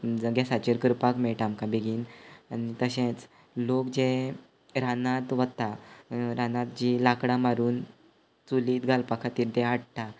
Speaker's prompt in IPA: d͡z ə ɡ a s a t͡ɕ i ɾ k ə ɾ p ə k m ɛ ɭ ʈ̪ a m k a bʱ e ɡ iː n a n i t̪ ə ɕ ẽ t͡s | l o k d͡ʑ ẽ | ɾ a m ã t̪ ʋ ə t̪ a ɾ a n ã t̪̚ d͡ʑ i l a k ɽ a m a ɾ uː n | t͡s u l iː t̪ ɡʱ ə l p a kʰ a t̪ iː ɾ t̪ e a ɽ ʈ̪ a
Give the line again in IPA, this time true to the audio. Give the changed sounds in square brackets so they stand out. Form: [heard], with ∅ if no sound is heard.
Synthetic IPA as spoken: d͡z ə ɡ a s a t͡ɕ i ɾ k ə ɾ p [a] k m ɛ ɭ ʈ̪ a m k a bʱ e ɡ iː n a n i t̪ ə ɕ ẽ t͡s | l o k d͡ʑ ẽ | ɾ a [n] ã t̪ ʋ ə t̪ a ɾ a n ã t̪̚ d͡ʑ i l a k ɽ a m a ɾ uː n | t͡s u l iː t̪ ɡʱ [a] l p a kʰ a t̪ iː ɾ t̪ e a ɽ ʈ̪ a